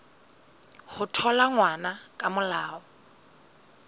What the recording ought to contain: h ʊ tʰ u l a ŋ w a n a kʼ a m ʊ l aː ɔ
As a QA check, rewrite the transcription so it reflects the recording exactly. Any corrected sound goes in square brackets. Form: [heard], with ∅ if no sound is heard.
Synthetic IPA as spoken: h ʊ tʰ [ɔ] l a ŋ w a n a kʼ a m ʊ l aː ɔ